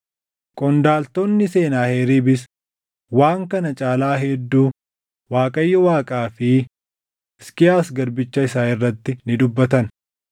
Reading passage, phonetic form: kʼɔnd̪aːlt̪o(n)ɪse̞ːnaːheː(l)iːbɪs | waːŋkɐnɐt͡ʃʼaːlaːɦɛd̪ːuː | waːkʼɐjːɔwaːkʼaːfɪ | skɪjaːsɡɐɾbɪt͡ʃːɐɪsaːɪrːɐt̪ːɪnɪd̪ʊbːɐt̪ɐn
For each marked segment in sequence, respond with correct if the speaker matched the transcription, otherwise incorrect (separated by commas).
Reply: incorrect, incorrect